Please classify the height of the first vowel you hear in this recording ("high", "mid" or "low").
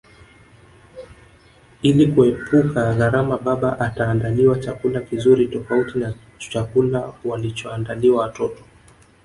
high